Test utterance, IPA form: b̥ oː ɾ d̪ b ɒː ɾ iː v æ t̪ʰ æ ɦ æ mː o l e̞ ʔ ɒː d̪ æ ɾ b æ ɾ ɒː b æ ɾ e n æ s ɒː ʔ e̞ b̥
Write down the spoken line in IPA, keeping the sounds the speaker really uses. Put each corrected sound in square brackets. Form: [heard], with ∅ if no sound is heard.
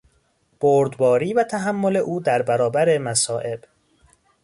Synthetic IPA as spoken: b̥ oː ɾ d̪ b ɒː ɾ iː v æ t̪ʰ æ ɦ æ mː o l e̞ ʔ [uː] d̪ æ ɾ b æ ɾ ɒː b æ ɾ e [m] æ s ɒː ʔ e̞ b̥